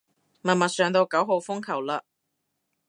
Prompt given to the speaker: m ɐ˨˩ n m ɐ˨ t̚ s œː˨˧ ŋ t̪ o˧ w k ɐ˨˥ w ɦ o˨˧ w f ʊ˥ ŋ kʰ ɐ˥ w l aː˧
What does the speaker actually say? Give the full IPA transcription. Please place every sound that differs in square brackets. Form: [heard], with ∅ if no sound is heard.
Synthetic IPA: m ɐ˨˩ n m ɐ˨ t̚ s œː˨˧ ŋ t̪ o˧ w k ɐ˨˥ w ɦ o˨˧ w f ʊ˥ ŋ kʰ [ɐ˨˩] w l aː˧